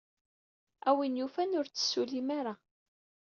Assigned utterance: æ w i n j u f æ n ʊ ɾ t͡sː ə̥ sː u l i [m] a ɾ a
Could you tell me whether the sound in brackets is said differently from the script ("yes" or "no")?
no